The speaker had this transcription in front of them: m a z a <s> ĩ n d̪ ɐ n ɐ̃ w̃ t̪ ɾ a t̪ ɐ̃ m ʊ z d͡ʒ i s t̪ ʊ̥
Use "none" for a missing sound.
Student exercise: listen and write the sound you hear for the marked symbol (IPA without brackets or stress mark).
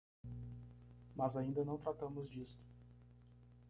none